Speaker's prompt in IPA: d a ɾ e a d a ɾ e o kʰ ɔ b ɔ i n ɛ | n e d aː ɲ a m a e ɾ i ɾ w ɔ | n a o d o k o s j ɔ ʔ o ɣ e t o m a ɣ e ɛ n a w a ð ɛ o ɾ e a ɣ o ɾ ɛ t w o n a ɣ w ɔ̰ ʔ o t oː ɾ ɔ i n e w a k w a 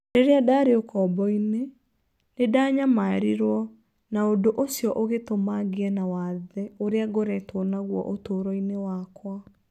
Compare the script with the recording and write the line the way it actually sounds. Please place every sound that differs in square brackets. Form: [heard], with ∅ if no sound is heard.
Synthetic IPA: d [e] ɾ e a d a ɾ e o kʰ ɔ b ɔ i n [e] | n e d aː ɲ a m a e ɾ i ɾ w ɔ | n a o d o [ʔ] o s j ɔ ʔ o ɣ e t o m a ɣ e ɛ n a w a ð ɛ o ɾ e a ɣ o ɾ ɛ t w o n a ɣ w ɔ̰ ʔ o t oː ɾ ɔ i n e w a k w a